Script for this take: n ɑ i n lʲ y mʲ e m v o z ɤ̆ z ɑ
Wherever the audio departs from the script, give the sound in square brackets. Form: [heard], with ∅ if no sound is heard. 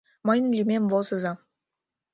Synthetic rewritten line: [m] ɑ [j] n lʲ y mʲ e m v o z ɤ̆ z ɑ